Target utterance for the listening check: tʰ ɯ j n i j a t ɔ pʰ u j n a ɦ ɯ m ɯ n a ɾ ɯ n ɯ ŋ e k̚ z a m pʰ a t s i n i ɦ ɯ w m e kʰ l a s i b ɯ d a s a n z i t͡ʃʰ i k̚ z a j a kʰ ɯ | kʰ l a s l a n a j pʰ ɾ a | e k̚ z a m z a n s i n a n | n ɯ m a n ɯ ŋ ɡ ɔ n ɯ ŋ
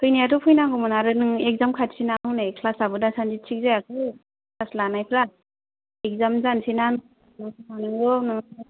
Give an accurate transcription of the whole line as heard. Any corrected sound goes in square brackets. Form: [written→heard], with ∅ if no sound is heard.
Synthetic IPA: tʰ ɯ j n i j a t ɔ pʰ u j n a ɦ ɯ m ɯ n a ɾ ɯ n ɯ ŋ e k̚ z a m [pʰ→kʰ] a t s i n [i→a] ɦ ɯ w [m→n] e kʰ l a s [i→a] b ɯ d a s a n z i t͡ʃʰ i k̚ z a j a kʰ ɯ | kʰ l a s l a n a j pʰ ɾ a | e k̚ z a m z a n s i n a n | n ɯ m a n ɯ ŋ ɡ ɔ n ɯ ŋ